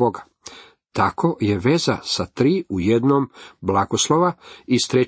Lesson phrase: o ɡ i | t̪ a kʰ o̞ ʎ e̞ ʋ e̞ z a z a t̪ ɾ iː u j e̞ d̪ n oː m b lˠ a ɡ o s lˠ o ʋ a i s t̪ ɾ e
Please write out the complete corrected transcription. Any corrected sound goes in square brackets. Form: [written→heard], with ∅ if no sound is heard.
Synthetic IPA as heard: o ɡ [i→a] | t̪ a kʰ o̞ [ʎ→j] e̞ ʋ e̞ z a [z→s] a t̪ ɾ iː u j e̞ d̪ n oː m b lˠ a ɡ o s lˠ o ʋ a i s t̪ ɾ e